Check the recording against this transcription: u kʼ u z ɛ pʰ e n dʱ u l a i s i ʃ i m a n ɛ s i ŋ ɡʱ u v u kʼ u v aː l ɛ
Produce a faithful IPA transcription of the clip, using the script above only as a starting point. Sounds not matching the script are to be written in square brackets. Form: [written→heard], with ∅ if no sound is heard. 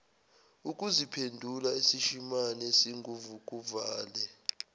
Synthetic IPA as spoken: u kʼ u z [ɛ→i] pʰ e n dʱ u l a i s i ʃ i m a n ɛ s i ŋ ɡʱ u v u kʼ u v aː l ɛ